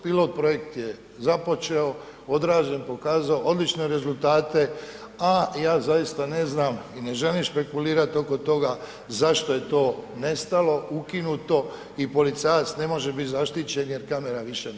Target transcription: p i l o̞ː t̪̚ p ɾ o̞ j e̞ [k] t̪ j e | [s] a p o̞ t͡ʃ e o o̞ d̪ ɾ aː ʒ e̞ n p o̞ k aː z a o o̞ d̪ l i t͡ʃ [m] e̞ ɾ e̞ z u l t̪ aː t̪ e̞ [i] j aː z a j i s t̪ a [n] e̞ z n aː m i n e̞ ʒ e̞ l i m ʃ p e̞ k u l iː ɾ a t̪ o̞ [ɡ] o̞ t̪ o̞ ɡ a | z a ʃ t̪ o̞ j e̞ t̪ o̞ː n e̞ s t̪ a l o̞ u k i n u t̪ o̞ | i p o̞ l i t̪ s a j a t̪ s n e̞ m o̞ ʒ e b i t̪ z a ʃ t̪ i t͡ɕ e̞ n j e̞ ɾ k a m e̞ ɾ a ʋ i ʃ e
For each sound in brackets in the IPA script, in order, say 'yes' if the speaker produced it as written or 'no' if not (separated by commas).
yes, no, no, no, yes, no